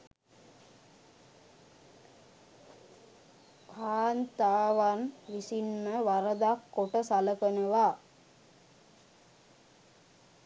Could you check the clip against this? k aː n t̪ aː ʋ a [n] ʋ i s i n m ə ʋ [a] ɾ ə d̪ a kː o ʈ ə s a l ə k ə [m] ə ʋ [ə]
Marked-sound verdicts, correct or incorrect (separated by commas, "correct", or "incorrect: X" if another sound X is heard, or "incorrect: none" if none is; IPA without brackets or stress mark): correct, correct, incorrect: n, incorrect: a